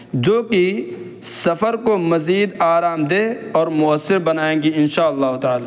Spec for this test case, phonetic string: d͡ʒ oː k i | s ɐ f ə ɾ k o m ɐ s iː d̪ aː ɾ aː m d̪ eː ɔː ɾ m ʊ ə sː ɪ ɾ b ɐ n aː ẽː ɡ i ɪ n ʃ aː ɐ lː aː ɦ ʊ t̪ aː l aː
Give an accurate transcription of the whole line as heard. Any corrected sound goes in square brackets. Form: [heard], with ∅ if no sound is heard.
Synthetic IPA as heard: d͡ʒ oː k i | s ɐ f ə ɾ k o m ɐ [z] iː d̪ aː ɾ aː m d̪ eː ɔː ɾ m ʊ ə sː ɪ ɾ b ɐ n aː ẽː ɡ i ɪ n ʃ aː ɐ lː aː ɦ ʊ t̪ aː l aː

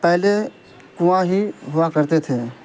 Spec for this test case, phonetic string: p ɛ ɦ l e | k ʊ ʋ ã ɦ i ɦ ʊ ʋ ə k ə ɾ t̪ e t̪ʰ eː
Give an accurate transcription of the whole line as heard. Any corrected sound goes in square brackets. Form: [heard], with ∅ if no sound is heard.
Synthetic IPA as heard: p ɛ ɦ l e | k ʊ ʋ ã ɦ i ɦ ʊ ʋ [a] k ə ɾ t̪ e t̪ʰ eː

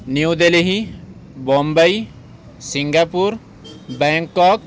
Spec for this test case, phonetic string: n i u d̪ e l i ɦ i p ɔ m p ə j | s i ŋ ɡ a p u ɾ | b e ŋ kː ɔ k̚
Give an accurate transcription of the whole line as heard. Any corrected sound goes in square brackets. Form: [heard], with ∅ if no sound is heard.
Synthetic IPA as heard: n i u d̪ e l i ɦ i [b] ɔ m [b] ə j | s i ŋ ɡ a p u ɾ | b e ŋ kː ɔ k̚

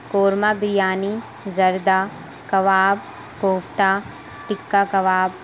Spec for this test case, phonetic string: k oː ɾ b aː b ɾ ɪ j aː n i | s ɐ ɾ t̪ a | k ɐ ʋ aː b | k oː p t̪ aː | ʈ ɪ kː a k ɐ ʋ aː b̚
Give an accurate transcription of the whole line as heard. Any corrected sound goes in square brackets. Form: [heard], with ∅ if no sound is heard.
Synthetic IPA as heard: k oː ɾ [m] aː b ɾ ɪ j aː n i | [z] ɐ ɾ [d̪] a | k ɐ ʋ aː b | k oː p t̪ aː | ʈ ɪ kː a k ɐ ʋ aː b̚

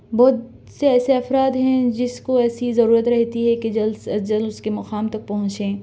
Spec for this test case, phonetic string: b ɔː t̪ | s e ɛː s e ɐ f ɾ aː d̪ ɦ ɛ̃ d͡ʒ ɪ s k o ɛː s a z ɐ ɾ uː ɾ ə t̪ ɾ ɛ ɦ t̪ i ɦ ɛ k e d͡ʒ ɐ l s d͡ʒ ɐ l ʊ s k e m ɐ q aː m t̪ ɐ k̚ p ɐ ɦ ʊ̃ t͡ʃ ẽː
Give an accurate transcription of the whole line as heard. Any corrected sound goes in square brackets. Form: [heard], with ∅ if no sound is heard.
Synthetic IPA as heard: b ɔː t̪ | s e ɛː s e ɐ f ɾ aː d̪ ɦ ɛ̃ d͡ʒ ɪ s k o ɛː s [i] z ɐ ɾ uː ɾ ə t̪ ɾ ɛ ɦ t̪ i ɦ ɛ k e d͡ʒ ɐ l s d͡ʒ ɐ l ʊ s k e m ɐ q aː m t̪ ɐ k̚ p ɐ ɦ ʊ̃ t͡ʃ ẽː

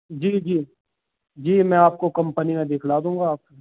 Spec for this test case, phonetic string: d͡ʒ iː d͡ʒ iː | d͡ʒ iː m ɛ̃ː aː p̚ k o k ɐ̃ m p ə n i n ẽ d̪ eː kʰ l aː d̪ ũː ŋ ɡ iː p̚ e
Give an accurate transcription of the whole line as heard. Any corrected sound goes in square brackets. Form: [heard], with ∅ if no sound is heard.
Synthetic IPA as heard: d͡ʒ iː d͡ʒ iː | d͡ʒ iː m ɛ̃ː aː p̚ k o k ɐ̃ m p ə n i [m] ẽ d̪ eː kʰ l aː d̪ ũː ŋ ɡ [aː] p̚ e

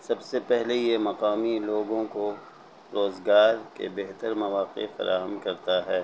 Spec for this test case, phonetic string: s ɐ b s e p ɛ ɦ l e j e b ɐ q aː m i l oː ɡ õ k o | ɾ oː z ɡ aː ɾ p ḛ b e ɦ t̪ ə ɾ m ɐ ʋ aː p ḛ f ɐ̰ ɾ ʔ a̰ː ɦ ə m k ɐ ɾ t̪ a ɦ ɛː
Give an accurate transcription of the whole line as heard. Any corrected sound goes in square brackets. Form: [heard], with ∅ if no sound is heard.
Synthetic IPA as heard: s ɐ b s e p ɛ ɦ l e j e [m] ɐ q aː m i l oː ɡ õ k o | ɾ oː z ɡ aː ɾ [k] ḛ b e ɦ t̪ ə ɾ m ɐ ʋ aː [q] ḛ f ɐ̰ ɾ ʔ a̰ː ɦ ə m k ɐ ɾ t̪ a ɦ ɛː

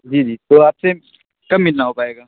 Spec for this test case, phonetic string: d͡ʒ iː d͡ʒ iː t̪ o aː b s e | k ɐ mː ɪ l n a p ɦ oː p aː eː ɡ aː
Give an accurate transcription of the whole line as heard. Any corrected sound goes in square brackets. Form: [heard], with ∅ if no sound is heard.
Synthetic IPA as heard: d͡ʒ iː d͡ʒ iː t̪ o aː [p] s e | k ɐ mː ɪ l n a [∅] ɦ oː p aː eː ɡ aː

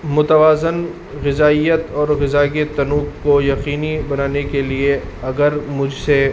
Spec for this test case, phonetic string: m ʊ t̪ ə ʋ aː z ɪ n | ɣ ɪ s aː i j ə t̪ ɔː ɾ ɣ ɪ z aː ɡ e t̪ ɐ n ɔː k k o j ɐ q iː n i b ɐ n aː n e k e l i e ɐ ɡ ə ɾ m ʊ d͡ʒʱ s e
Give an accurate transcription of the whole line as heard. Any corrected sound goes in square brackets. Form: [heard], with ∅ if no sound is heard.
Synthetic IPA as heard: m ʊ t̪ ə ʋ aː z ɪ n | ɣ ɪ [z] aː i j ə t̪ ɔː ɾ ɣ ɪ z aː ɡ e t̪ ɐ n [uː] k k o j ɐ q iː n i b ɐ n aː n e k e l i e ɐ ɡ ə ɾ m ʊ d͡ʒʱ s e

